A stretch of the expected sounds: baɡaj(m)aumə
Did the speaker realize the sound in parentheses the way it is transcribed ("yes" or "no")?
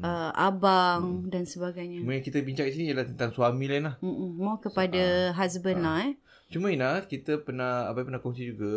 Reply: no